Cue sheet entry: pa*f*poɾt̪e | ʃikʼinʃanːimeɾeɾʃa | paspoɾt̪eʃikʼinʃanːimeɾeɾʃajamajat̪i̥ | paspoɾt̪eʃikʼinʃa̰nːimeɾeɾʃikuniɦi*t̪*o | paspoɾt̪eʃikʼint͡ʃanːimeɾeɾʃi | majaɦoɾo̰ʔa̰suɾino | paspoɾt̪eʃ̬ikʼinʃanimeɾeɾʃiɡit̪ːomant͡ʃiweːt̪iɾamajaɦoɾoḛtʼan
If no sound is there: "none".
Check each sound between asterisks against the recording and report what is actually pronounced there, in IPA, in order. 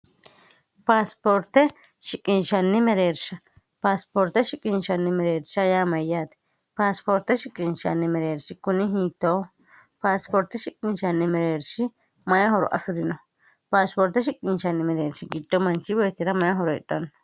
s, t̪

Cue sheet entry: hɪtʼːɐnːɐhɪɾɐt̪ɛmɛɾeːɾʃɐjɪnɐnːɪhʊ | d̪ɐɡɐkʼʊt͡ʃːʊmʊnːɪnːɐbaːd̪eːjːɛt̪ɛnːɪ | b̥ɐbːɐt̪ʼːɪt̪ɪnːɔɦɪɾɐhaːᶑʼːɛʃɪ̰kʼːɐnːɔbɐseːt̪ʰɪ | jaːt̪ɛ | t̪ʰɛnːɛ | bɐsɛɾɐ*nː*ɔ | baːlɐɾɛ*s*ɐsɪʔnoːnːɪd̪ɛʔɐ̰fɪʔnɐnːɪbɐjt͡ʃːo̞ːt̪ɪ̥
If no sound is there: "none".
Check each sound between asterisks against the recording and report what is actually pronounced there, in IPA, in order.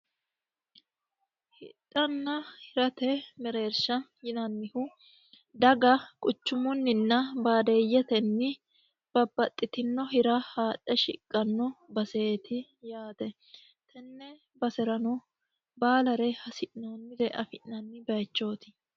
n, h

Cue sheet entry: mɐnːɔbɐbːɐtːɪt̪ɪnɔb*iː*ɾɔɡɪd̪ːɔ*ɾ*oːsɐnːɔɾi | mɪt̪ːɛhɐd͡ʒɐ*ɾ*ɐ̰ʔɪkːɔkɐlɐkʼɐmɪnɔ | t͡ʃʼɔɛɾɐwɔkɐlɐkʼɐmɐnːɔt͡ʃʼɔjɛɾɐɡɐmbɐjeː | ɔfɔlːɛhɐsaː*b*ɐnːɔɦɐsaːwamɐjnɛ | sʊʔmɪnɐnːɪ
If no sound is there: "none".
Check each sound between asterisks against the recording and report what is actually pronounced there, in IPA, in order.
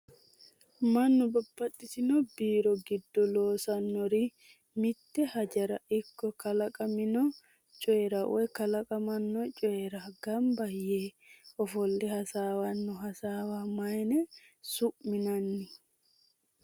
iː, l, ɾ, w

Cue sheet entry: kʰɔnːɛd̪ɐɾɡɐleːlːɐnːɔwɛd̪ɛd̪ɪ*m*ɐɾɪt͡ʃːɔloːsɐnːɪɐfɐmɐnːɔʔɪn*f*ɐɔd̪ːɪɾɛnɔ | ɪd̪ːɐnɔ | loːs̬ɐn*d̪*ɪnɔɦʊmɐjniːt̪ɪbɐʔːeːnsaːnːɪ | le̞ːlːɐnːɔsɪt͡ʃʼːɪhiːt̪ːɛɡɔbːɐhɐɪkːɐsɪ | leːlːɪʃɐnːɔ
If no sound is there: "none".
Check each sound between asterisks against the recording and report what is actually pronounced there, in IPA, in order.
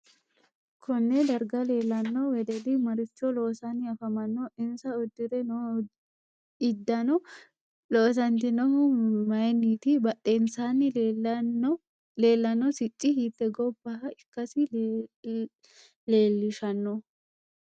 m, s, t̪

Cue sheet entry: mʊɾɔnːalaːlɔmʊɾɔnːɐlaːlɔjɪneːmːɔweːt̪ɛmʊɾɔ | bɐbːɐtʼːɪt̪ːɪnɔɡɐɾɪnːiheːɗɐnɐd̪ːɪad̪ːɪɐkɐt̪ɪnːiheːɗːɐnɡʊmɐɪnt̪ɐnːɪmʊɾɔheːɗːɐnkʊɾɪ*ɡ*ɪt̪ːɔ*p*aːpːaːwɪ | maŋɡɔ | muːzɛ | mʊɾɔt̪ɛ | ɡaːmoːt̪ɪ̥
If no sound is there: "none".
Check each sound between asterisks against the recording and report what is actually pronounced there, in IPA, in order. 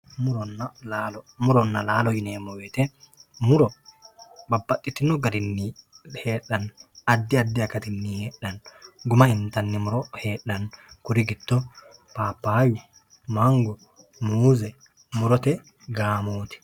ɡ, p

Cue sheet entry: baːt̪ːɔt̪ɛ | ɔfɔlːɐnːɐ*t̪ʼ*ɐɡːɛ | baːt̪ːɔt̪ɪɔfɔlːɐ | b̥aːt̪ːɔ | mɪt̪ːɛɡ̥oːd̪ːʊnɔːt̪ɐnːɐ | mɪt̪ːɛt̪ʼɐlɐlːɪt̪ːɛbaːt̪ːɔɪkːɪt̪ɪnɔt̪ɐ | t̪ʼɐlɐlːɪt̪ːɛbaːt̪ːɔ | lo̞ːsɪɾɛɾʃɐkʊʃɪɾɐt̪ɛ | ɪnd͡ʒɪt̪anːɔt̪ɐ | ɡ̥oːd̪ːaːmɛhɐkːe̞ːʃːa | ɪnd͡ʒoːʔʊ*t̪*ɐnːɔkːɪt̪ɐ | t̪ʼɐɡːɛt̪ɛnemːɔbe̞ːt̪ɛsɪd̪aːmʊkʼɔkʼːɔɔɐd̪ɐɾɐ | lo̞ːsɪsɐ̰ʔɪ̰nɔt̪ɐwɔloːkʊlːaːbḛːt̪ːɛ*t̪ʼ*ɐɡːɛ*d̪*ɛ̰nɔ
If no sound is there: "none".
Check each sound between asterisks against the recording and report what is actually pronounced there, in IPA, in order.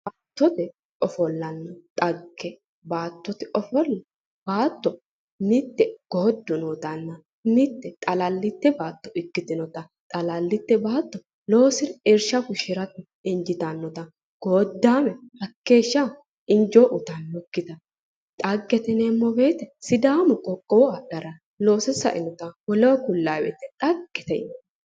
t̪ʼ, t̪, t̪ʼ, t̪

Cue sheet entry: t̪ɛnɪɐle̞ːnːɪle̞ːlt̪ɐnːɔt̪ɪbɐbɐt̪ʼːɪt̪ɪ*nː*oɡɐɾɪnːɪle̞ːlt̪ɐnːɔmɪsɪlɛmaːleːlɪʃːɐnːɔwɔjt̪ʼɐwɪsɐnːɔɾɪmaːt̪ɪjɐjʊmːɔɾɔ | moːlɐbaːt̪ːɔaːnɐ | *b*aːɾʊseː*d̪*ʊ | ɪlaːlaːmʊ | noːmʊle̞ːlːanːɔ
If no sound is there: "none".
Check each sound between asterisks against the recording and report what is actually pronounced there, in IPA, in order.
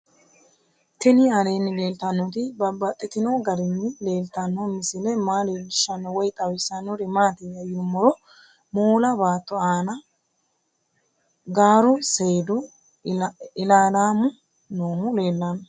n, ɡ, d̪

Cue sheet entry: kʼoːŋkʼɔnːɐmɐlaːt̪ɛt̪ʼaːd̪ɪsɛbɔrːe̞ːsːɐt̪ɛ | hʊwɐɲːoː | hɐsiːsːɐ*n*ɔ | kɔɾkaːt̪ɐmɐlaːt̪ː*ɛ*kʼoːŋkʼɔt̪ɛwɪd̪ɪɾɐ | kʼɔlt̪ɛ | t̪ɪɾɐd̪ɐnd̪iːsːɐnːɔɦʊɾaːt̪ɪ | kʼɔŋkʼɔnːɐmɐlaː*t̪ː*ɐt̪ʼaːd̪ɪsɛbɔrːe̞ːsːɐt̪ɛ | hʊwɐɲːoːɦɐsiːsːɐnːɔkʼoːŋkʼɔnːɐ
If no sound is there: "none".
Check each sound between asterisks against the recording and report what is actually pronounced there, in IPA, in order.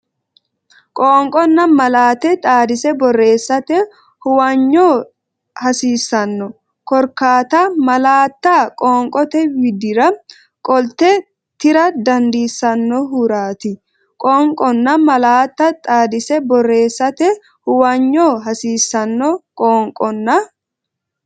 nː, a, t̪ː

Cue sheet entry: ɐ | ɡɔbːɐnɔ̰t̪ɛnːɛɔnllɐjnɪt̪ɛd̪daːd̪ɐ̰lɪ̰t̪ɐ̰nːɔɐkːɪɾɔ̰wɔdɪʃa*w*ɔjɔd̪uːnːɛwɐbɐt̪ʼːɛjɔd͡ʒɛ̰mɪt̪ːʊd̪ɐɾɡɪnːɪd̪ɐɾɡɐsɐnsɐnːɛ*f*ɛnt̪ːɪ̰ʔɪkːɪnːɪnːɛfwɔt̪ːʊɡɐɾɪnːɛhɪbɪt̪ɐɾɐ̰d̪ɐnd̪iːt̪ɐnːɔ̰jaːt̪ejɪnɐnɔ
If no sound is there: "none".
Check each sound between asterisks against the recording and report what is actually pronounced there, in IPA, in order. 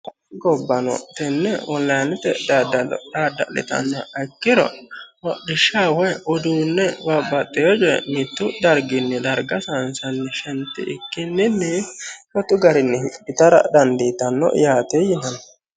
w, ʃ

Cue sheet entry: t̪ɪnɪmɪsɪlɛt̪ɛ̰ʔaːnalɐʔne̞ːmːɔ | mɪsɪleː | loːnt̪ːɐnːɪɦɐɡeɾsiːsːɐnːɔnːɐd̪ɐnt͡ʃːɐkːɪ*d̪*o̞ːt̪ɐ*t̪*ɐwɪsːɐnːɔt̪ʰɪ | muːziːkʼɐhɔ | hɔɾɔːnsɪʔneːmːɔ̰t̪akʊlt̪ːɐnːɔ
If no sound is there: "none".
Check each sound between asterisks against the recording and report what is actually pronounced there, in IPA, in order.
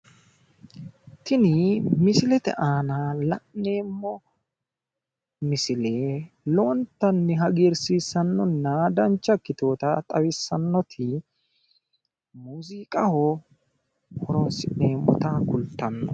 t̪, t̪ʼ

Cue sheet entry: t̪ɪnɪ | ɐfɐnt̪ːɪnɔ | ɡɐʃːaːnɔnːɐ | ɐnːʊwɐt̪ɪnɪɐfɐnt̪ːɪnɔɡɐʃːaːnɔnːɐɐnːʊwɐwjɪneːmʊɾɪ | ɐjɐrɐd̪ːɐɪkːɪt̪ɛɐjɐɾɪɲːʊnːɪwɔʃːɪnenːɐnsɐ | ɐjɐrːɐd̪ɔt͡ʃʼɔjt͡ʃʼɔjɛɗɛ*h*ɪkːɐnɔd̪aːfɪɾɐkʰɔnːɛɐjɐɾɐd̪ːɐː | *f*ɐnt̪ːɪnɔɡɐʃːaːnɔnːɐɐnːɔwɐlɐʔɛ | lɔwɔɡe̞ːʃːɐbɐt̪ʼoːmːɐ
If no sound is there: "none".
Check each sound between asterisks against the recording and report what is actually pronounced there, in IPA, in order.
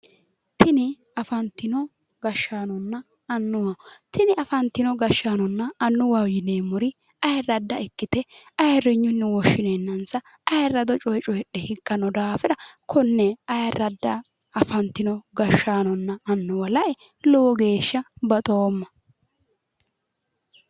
h, f

